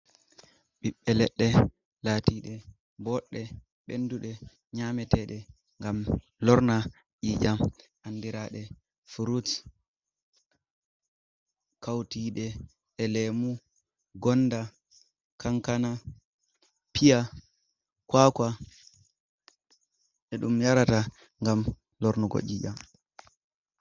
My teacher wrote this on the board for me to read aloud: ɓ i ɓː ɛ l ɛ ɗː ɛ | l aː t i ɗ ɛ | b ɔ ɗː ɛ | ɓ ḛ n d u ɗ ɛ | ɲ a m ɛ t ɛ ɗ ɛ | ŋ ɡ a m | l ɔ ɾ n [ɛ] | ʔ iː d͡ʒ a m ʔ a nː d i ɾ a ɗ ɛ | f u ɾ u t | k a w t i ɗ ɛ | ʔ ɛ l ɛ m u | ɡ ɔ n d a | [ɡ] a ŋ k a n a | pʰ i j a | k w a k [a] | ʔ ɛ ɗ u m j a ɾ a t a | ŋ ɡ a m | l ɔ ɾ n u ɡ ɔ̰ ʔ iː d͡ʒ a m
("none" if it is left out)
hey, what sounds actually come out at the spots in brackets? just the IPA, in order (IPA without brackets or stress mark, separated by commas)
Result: a, k, a